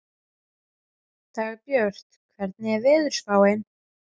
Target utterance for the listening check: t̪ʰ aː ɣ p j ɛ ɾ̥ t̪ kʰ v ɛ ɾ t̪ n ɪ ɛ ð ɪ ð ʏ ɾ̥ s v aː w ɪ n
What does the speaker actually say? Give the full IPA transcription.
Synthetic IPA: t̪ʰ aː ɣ p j œ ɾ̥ t̪ kʰ v ɛ ɾ t̪ n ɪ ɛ v ɪ ð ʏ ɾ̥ s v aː w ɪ n